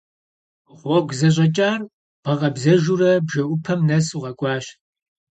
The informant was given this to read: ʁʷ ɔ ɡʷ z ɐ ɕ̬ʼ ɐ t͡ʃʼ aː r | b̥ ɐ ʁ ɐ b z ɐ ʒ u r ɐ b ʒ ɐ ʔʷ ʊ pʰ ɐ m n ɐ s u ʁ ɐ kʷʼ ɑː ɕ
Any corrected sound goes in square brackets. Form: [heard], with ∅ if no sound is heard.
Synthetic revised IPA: ʁʷ ɔ ɡʷ z ɐ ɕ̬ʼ ɐ t͡ʃʼ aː r | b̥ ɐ ʁ ɐ b z ɐ ʒ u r ɐ b ʒ ɐ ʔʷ ʊ pʰ ɐ m n ɐ s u ʁ ɐ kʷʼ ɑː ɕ